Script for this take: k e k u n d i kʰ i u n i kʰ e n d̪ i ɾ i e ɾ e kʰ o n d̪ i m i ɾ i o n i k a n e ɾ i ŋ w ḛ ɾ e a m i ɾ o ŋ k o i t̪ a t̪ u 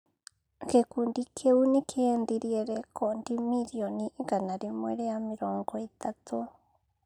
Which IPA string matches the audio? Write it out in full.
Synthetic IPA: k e k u n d i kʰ e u n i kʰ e n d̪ i ɾ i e ɾ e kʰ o n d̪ i m i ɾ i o n i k a n a ɾ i m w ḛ ɾ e a m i ɾ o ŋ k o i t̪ a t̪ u